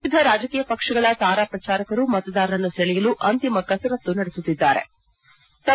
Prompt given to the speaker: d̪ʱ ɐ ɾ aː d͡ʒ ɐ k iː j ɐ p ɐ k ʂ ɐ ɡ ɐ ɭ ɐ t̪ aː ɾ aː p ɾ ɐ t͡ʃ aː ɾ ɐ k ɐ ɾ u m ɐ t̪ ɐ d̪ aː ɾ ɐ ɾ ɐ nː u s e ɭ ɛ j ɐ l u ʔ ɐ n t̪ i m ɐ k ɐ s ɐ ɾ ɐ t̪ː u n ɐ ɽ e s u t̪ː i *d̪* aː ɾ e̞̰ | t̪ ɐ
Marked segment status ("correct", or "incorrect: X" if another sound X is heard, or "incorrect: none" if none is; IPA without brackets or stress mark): incorrect: d̪ː